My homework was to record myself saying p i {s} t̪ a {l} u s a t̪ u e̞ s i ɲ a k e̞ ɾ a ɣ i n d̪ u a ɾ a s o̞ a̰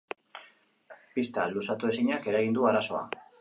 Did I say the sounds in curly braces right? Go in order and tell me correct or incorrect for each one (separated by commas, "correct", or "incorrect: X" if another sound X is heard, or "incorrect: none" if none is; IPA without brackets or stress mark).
correct, correct